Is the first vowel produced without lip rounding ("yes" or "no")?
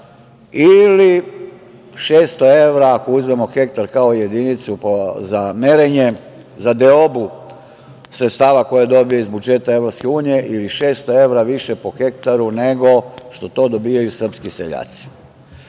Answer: yes